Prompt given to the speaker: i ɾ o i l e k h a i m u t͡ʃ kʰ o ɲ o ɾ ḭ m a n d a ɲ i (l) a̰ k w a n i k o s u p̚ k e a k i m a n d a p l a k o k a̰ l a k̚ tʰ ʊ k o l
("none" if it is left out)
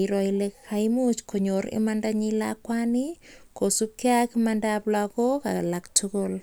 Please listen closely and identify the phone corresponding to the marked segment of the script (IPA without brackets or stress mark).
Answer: l